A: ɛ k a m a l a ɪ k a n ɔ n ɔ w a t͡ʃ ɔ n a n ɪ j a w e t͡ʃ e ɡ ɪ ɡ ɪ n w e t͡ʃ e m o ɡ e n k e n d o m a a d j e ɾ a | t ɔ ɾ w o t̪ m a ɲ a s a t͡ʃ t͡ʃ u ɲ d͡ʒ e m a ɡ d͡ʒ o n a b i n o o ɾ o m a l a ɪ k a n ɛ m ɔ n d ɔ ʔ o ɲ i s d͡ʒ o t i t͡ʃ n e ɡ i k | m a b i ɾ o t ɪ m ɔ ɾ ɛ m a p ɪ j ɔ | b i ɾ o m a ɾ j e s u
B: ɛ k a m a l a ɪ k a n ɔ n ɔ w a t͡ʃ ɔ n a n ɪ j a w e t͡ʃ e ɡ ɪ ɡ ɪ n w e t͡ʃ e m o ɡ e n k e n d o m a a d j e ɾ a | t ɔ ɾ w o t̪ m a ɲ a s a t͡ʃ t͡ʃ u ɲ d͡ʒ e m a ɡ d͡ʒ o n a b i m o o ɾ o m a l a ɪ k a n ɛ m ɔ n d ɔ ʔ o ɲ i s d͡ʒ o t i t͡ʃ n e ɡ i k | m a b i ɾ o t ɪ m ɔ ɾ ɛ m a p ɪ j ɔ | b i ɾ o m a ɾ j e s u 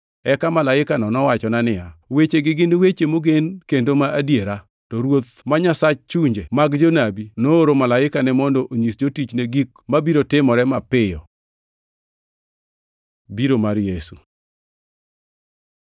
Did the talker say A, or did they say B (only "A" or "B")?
A